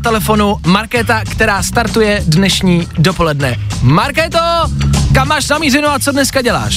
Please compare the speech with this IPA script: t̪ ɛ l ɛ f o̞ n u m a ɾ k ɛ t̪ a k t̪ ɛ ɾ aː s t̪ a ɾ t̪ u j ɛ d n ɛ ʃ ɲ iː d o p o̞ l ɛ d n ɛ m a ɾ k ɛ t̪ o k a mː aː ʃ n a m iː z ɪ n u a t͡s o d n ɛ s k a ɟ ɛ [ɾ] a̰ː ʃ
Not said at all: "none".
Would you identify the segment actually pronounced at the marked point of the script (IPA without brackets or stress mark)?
l